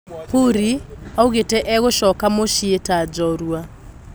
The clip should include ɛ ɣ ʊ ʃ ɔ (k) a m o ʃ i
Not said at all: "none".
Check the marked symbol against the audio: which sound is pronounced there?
k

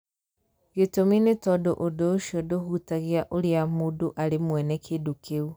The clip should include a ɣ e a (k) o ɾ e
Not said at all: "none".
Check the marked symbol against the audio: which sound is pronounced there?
ʔ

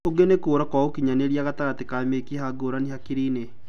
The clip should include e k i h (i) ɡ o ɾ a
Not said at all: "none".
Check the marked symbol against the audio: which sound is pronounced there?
a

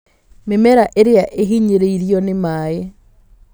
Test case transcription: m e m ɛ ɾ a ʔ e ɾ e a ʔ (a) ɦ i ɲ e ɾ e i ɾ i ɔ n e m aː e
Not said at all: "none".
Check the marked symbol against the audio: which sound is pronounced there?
e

